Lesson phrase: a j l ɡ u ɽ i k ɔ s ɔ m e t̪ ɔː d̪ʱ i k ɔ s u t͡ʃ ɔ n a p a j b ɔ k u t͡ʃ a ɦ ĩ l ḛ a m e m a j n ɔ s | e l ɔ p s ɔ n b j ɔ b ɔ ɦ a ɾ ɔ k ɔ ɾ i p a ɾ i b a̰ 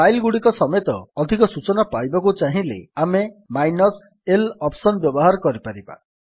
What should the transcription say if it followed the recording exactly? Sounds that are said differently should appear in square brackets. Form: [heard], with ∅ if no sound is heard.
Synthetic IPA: a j l ɡ u ɽ i k ɔ s ɔ m e t̪ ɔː d̪ʱ i k ɔ s u t͡ʃ ɔ n a p a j b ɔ k u t͡ʃ a ɦ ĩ l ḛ a m e m a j n ɔ s | e l ɔ p s ɔ n b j ɔ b ɔ ɦ a ɾ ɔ k ɔ ɾ i p a ɾ i b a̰

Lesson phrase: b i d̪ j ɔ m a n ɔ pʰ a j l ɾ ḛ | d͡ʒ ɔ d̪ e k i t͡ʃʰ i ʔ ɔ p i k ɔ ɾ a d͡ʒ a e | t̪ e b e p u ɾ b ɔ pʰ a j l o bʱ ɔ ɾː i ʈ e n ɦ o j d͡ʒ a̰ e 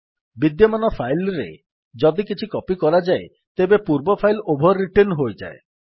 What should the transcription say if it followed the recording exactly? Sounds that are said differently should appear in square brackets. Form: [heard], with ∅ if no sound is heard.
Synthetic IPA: b i d̪ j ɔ m a n ɔ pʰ a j l ɾ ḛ | d͡ʒ ɔ d̪ [i] k i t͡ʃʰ i [k] ɔ p i k ɔ ɾ a d͡ʒ a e | t̪ e b e p u ɾ b ɔ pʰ a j l o bʱ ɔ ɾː i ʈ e n ɦ o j d͡ʒ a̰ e

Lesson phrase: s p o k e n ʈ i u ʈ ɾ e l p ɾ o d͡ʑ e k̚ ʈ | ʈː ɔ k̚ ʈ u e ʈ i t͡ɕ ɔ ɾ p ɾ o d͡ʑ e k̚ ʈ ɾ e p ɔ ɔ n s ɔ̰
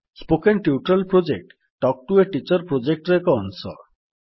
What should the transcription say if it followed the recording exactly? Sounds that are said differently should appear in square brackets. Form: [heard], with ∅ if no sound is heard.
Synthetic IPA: s p o k e n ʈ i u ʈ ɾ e l p ɾ o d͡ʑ e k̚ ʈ | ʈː ɔ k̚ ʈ u e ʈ i t͡ɕ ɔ ɾ p ɾ o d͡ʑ e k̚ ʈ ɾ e [k] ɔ ɔ n s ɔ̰

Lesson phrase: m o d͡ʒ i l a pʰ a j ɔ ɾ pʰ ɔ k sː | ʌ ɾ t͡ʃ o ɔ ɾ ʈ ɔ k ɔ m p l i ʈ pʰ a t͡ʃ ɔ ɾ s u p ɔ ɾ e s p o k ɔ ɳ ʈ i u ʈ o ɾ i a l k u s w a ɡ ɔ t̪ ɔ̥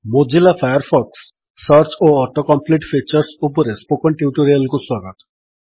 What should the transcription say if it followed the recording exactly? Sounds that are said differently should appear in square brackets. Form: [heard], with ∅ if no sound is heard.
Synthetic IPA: m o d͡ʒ i l a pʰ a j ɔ ɾ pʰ ɔ k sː | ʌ ɾ t͡ʃ o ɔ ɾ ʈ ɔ k ɔ m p l i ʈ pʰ [i] t͡ʃ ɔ ɾ s u p ɔ ɾ e s p o k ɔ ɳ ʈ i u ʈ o ɾ i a l k u s w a ɡ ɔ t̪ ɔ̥

